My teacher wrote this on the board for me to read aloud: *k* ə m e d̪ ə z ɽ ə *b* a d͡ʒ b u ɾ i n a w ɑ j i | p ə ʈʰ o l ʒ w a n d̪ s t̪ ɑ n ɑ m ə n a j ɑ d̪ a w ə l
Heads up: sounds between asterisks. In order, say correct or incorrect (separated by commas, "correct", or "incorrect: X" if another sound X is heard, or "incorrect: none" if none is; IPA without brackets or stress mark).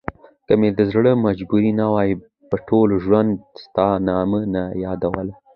correct, incorrect: m